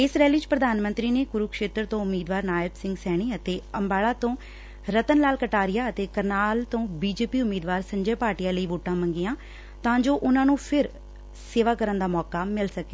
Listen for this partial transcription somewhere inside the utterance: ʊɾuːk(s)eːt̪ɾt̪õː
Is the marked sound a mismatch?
yes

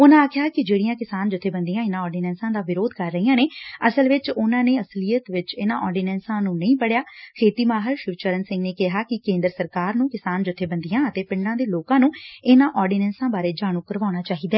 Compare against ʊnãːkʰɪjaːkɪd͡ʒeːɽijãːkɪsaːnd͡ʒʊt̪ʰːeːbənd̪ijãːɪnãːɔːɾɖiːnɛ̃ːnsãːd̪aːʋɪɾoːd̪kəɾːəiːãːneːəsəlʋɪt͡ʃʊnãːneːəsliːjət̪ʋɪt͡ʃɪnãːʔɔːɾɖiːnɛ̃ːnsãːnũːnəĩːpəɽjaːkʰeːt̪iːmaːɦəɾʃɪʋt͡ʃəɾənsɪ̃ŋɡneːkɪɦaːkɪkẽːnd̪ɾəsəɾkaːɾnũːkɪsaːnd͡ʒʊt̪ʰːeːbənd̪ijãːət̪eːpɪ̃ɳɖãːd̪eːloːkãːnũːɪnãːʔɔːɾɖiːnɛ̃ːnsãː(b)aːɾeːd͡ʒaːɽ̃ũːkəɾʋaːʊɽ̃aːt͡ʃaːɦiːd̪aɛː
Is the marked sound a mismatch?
no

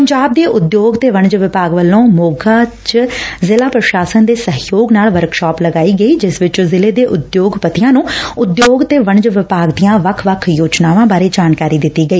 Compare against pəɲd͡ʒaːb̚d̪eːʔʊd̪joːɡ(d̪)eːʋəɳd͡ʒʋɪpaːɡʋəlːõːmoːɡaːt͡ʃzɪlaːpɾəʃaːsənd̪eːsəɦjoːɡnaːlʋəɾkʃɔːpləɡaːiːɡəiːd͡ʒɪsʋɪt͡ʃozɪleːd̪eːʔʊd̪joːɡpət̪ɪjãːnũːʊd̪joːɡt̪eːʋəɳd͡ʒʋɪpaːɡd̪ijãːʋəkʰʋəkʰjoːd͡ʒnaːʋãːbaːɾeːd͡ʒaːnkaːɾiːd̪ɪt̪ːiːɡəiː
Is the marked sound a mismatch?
yes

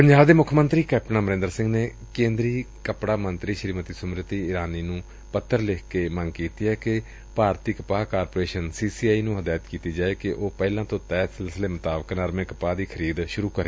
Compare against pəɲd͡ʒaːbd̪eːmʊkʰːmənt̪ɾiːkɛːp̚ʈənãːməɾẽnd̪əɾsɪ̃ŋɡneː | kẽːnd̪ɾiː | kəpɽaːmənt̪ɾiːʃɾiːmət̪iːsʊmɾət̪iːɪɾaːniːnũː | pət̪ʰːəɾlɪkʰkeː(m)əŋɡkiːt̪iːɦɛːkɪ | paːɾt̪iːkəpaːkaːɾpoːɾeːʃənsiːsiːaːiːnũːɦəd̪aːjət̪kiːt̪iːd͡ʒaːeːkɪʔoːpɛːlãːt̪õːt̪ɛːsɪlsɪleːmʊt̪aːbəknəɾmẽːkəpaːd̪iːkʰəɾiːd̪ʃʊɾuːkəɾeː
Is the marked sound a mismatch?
no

